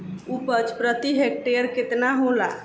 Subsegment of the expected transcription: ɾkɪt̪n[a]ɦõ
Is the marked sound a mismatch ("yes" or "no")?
no